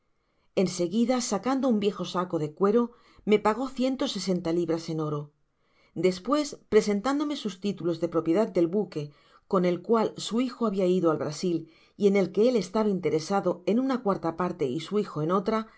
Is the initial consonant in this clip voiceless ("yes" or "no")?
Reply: no